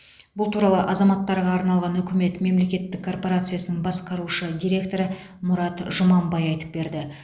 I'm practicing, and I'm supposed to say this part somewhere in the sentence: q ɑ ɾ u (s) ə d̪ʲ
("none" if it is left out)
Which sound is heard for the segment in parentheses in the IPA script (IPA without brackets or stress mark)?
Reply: ʃ